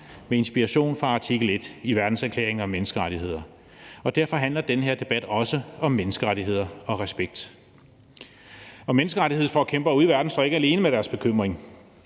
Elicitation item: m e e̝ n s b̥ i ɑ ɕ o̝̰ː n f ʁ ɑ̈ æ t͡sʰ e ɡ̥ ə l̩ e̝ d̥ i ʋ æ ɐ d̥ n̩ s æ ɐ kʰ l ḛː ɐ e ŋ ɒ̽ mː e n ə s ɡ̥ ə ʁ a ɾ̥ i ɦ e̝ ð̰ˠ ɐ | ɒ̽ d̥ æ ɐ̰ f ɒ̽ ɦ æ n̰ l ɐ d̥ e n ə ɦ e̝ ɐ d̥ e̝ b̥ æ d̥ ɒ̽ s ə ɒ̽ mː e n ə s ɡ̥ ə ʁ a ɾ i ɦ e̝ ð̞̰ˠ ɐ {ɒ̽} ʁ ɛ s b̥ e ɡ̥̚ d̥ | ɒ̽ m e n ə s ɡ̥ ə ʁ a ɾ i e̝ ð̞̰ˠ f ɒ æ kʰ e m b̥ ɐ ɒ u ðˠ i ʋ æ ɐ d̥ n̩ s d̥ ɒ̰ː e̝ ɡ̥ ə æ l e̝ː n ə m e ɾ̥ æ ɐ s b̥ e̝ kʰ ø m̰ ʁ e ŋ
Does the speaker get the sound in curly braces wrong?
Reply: no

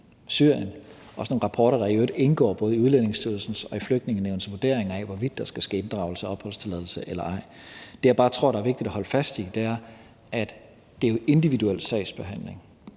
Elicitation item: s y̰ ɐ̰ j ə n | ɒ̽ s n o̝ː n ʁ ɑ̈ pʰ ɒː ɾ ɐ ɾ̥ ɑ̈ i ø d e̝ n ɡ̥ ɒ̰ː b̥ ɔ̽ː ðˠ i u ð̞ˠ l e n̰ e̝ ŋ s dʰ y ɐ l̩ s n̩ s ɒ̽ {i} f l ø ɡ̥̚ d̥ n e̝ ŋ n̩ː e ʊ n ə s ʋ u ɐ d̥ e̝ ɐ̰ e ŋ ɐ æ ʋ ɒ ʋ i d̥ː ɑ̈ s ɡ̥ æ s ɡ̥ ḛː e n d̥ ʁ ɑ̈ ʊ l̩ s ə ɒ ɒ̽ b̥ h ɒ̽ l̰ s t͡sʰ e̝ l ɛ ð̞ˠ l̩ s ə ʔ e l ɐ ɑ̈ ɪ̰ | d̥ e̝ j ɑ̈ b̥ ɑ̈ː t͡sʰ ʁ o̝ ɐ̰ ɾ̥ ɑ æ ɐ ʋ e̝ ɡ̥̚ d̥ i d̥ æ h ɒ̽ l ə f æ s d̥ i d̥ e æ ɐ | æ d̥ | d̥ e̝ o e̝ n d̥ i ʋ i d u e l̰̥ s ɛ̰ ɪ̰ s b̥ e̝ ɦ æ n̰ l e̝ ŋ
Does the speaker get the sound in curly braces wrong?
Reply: no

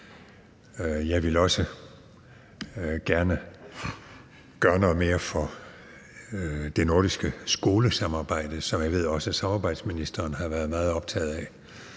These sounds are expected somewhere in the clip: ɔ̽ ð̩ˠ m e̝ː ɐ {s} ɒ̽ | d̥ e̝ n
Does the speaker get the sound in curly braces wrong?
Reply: yes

